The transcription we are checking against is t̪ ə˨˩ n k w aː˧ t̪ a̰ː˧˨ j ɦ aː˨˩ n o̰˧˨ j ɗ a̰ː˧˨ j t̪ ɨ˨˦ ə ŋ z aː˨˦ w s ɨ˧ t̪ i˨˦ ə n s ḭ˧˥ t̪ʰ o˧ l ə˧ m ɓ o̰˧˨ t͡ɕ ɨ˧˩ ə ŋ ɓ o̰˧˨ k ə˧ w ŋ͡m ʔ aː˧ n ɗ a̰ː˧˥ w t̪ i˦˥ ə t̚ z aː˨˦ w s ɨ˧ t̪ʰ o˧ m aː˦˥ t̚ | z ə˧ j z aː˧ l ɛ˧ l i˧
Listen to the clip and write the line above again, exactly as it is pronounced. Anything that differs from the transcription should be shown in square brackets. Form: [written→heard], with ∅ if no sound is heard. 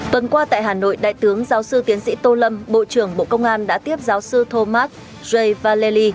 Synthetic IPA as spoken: t̪ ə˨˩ n k w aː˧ t̪ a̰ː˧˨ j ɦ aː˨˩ n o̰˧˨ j ɗ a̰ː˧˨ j t̪ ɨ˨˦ ə ŋ z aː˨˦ w s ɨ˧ t̪ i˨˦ ə n s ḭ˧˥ [t̪ʰ→t̪] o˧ l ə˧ m ɓ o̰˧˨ t͡ɕ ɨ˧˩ ə ŋ ɓ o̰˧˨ k ə˧ w ŋ͡m ʔ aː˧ n ɗ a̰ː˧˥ [w→∅] t̪ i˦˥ ə [t̚→p̚] z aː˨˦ w s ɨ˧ t̪ʰ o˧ m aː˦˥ t̚ | z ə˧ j [z→v] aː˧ l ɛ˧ l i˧